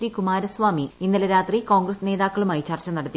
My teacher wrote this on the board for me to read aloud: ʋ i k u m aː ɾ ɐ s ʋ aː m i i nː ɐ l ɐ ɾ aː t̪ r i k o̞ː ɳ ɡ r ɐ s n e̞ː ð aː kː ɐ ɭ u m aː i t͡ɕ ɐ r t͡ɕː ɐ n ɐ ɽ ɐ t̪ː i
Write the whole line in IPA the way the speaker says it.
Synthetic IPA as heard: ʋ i k u m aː ɾ ɐ s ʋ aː m i i nː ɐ l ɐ ɾ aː t̪ r i k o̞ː ŋ ɡ r ɐ s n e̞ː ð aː kː ɐ ɭ u m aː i t͡ɕ ɐ r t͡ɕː ɐ n ɐ ɽ ɐ t̪ː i